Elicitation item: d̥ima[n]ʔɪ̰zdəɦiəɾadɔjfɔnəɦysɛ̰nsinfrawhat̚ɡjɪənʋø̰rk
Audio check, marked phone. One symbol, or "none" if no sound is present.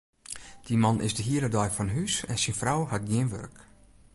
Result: n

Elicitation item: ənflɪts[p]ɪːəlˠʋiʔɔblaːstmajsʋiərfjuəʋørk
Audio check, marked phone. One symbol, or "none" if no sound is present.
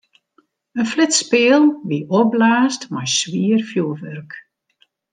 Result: p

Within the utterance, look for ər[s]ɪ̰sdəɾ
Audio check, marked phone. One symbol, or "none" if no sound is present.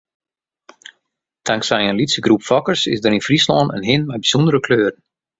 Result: s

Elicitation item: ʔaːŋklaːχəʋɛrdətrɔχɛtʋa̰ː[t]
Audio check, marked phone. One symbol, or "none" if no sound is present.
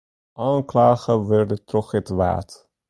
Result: t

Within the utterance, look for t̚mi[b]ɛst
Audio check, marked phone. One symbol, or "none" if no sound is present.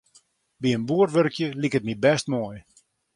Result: b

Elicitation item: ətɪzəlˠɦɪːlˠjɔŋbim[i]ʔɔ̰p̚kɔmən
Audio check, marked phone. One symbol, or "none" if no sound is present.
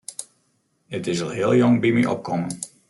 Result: i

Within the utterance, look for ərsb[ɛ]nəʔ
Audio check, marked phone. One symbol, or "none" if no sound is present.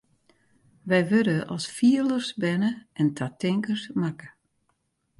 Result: ɛ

